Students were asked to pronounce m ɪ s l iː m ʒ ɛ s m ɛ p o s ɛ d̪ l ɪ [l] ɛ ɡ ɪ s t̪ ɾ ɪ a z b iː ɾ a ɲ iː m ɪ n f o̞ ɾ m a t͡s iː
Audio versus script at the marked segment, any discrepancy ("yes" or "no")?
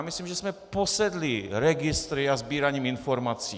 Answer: yes